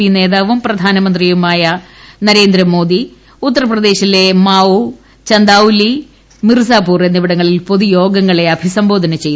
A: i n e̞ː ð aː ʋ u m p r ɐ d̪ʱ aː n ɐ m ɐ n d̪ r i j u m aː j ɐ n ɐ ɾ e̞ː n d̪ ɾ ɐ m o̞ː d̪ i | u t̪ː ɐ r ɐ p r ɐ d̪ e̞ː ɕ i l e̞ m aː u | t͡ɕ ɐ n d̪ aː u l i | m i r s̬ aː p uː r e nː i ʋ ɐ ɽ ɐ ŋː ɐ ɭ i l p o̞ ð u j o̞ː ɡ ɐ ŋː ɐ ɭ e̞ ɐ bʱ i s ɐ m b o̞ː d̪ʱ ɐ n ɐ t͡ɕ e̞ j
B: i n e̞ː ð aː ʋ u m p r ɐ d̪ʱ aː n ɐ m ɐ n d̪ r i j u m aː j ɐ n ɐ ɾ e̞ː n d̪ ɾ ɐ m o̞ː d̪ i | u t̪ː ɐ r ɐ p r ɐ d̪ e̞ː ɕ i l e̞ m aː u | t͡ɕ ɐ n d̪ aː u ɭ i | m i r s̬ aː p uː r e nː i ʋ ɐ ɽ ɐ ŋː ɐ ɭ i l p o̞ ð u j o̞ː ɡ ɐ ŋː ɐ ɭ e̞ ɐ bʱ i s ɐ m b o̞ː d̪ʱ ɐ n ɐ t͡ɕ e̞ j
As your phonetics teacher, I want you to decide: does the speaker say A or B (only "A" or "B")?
A